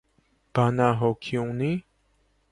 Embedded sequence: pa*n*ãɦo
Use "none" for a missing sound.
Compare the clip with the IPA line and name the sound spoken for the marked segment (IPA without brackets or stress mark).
n